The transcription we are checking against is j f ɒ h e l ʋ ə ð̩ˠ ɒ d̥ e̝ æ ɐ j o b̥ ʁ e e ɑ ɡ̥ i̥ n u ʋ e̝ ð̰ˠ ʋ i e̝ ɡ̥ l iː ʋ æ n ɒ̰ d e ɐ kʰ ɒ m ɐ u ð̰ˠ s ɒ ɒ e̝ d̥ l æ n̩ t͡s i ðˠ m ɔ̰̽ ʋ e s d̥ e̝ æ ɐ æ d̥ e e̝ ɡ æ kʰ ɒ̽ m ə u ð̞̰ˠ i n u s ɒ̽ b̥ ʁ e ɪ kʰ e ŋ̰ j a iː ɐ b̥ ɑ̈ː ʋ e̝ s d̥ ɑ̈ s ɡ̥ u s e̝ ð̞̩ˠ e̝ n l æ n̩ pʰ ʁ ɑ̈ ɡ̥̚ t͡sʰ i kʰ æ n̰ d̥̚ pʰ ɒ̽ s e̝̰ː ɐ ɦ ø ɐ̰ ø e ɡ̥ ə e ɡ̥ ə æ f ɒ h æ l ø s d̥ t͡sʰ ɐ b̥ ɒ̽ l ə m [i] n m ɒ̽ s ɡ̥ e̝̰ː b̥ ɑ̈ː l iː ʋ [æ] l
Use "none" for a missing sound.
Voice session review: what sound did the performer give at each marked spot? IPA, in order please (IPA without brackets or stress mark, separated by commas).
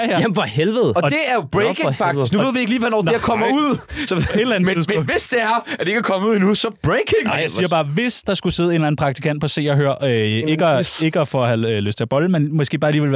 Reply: e, e